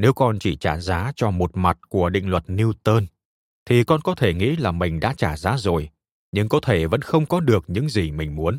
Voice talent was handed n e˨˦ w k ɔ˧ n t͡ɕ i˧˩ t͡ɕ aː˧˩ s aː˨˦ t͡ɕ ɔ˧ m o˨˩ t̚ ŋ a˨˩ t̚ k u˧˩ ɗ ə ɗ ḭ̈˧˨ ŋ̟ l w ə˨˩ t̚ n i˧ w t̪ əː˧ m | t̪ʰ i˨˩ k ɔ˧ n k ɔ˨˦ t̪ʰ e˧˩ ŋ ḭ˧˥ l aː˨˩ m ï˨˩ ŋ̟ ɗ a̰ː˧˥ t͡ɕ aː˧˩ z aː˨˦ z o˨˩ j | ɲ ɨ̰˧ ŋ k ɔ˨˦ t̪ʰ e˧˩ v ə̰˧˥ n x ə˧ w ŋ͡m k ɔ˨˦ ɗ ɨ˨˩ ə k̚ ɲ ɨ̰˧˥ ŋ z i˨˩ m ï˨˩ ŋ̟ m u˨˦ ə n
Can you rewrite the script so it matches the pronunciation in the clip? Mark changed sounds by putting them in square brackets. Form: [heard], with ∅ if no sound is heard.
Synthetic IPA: n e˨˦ w k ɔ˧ n t͡ɕ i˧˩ t͡ɕ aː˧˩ [z] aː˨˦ t͡ɕ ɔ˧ m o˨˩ t̚ [m] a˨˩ t̚ k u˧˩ [∅] ə ɗ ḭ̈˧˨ ŋ̟ l w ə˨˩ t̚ n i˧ w t̪ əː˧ [n] | t̪ʰ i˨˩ k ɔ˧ n k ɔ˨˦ t̪ʰ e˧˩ ŋ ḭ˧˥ l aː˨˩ m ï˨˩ ŋ̟ ɗ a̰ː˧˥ t͡ɕ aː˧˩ z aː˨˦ z o˨˩ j | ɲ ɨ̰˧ ŋ k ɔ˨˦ t̪ʰ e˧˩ v ə̰˧˥ n x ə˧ w ŋ͡m k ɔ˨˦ ɗ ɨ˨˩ ə k̚ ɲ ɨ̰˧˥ ŋ z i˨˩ m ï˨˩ ŋ̟ m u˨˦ ə n